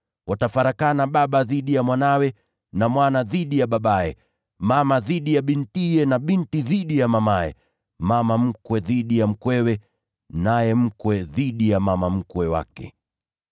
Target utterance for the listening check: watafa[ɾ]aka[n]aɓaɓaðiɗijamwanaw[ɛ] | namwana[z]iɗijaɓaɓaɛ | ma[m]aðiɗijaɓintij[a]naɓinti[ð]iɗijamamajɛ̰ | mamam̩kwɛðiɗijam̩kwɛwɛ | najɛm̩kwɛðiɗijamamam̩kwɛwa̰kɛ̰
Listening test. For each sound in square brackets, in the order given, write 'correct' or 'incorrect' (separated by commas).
correct, correct, correct, incorrect, correct, incorrect, correct